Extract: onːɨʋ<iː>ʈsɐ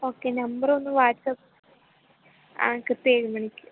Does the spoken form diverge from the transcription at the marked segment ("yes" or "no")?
yes